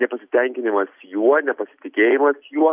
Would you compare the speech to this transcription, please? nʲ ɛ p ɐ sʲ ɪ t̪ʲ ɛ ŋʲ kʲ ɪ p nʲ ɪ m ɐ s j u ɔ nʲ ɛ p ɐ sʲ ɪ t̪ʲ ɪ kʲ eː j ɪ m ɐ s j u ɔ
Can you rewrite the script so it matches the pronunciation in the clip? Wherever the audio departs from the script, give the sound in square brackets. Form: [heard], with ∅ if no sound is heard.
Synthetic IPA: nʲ ɛ p ɐ sʲ ɪ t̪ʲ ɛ ŋʲ kʲ ɪ [∅] nʲ ɪ m ɐ s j u ɔ nʲ ɛ p ɐ sʲ ɪ t̪ʲ ɪ kʲ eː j ɪ m ɐ s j u ɔ